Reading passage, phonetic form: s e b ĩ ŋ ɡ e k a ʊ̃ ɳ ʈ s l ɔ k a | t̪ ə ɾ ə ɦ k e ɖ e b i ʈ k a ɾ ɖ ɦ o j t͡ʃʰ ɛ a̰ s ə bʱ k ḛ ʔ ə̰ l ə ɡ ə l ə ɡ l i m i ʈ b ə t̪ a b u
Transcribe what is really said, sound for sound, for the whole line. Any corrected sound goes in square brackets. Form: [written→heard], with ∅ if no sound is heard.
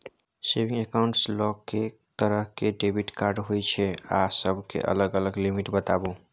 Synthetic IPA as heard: s e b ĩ ŋ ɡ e k a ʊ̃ ɳ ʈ s l ɔ k [a→e] | t̪ ə ɾ ə ɦ k e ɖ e b i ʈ k a ɾ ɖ ɦ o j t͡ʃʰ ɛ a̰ s ə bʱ k ḛ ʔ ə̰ l ə ɡ ə l ə ɡ l i m i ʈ b ə t̪ a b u